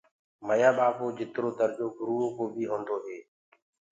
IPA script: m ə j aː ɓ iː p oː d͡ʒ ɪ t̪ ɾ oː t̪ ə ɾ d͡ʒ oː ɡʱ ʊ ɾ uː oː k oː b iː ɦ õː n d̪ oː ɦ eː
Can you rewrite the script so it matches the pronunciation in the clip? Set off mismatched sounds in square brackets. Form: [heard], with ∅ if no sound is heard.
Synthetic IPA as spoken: m ə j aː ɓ [aː] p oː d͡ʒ ɪ t̪ ɾ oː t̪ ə ɾ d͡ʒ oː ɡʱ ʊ ɾ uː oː k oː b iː ɦ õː n d̪ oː ɦ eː